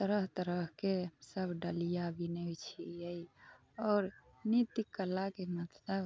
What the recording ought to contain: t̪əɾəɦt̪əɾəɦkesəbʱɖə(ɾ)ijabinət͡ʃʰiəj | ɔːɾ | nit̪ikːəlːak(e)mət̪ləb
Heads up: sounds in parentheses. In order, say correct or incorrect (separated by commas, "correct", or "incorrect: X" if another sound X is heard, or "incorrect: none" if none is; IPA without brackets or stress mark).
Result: incorrect: l, correct